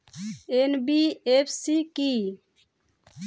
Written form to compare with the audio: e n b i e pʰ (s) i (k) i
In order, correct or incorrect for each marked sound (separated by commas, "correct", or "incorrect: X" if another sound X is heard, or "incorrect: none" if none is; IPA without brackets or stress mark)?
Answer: correct, correct